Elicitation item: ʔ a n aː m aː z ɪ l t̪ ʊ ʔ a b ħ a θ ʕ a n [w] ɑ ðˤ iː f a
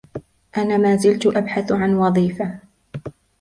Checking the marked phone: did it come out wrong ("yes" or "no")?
no